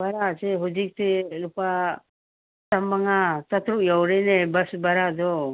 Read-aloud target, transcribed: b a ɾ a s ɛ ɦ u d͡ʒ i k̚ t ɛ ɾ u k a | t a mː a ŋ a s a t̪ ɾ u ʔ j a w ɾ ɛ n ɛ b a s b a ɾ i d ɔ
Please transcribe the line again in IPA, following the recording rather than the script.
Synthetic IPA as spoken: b a ɾ a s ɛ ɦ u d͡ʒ i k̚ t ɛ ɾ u p a | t a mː a ŋ a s a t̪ ɾ u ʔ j a w ɾ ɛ n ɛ b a s b a ɾ a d ɔ